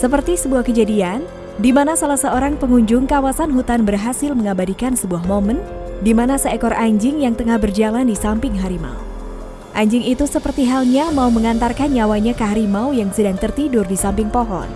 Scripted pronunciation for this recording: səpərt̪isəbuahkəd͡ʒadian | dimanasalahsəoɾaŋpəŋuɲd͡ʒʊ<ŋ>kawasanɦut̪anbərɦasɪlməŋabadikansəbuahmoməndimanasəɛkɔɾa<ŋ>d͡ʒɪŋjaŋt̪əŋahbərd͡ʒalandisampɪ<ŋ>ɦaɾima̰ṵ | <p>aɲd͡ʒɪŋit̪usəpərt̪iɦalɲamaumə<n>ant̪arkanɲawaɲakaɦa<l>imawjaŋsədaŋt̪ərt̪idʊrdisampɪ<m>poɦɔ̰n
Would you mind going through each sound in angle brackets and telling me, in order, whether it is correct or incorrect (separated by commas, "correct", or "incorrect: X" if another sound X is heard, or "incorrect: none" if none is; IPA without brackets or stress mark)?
correct, incorrect: ɲ, correct, incorrect: ʔ, incorrect: ŋ, incorrect: ɾ, incorrect: ŋ